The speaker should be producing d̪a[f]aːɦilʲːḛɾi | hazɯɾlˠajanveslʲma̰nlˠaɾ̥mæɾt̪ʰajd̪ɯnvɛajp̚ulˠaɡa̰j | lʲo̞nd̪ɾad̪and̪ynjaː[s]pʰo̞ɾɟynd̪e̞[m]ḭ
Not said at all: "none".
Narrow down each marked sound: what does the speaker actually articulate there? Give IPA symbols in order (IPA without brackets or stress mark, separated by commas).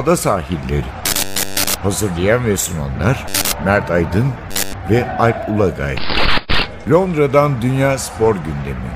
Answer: s, s, m